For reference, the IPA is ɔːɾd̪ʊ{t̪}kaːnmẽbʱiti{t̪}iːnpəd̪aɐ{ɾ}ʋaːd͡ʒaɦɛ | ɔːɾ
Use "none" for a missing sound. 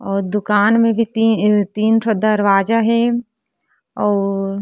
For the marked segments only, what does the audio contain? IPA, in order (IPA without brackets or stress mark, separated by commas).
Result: none, t̪, ɾ